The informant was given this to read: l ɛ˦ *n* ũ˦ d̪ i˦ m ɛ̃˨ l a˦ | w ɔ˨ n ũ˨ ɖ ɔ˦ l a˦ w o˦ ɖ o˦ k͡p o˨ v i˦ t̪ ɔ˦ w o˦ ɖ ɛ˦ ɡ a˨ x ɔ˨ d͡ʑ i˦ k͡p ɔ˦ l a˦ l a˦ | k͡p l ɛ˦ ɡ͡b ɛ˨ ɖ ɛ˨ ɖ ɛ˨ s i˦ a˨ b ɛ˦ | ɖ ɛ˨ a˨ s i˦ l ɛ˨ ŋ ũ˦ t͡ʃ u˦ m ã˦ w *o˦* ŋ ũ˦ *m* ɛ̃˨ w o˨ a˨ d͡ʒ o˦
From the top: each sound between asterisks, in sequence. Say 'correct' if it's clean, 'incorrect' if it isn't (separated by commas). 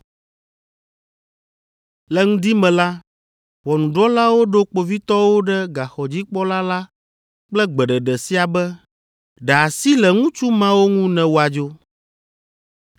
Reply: incorrect, correct, incorrect